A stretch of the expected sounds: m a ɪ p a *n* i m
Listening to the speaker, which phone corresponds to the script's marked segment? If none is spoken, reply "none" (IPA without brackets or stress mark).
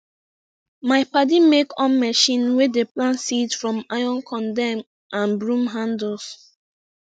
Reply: d